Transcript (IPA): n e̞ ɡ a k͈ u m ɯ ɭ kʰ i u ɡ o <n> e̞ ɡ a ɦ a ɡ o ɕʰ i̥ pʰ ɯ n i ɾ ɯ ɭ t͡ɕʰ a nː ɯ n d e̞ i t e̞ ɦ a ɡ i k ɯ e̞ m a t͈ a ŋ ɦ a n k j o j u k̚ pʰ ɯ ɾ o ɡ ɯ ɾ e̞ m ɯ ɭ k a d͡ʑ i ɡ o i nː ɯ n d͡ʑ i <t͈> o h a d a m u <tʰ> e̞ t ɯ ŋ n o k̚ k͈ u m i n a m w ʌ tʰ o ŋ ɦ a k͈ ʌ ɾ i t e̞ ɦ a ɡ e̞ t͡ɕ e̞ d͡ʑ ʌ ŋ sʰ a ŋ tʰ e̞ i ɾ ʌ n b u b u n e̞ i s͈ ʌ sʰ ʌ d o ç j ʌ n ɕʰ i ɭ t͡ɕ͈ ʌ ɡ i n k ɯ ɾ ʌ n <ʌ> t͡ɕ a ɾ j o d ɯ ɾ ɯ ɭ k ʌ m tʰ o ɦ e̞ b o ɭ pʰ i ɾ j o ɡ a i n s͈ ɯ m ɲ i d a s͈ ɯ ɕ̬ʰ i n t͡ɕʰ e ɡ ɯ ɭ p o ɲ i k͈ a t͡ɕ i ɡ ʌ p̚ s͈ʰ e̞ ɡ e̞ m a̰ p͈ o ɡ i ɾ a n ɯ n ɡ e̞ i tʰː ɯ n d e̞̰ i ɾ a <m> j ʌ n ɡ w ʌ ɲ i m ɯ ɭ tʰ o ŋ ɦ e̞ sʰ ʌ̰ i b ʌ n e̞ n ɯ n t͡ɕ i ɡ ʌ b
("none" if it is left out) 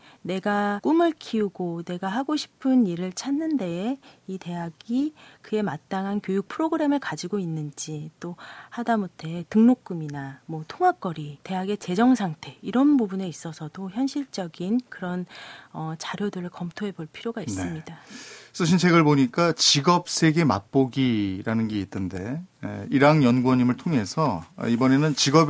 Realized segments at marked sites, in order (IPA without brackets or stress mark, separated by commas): n, t͈, tʰ, ʌ, ŋ